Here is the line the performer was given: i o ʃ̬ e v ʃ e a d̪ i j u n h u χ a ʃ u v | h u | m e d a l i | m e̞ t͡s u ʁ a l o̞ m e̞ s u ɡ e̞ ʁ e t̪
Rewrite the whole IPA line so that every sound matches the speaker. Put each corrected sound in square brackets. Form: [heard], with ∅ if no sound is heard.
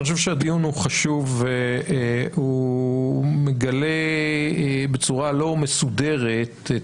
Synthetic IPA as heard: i o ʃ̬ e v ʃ e a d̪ i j u n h u χ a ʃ u v | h u | m e [ɡ] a l [e] | [b] e̞ t͡s u ʁ a l o̞ m e̞ s u [d] e̞ ʁ e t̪